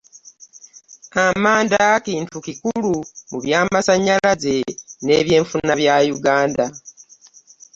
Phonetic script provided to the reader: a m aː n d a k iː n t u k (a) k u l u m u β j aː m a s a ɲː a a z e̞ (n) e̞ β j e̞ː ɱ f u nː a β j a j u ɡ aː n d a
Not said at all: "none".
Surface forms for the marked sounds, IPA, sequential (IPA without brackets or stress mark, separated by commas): i, n